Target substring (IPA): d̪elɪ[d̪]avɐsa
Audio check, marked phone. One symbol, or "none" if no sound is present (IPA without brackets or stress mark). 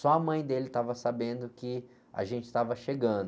t̪